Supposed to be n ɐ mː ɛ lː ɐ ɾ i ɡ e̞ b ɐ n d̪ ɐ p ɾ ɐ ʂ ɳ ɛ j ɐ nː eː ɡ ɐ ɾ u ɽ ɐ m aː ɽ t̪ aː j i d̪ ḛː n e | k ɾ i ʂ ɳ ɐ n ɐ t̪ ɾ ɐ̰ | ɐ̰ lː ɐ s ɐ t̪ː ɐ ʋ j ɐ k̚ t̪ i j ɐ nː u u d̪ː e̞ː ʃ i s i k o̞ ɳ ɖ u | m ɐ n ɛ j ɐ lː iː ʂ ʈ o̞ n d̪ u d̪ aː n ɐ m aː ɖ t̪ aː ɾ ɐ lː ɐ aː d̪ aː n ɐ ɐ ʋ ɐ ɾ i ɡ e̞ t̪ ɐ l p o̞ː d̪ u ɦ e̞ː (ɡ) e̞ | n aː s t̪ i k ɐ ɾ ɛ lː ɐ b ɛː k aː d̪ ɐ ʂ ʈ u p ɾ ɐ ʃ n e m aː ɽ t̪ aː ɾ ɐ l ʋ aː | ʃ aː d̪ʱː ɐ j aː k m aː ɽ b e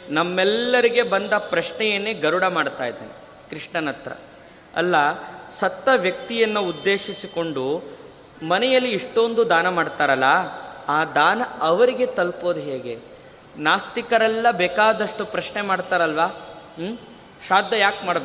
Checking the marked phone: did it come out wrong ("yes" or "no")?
no